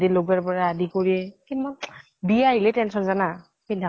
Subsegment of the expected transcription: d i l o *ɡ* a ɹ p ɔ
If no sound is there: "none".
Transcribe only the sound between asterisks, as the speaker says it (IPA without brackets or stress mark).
ɡ